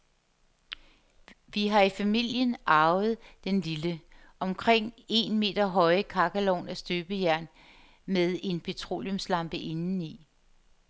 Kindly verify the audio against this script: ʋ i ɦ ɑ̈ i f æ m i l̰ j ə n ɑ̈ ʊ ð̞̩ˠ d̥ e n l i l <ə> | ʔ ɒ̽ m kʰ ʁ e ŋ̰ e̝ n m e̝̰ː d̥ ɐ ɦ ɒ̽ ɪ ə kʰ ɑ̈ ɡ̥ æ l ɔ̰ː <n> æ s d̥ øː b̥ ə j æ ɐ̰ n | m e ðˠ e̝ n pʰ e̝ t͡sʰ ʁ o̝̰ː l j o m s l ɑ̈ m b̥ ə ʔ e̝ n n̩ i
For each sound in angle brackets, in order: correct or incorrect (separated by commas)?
correct, correct